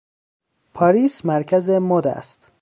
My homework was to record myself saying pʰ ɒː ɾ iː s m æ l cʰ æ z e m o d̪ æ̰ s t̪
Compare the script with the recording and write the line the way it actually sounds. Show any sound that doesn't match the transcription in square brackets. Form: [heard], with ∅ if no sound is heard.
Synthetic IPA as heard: pʰ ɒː ɾ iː s m æ [ɾ] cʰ æ z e m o d̪ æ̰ s t̪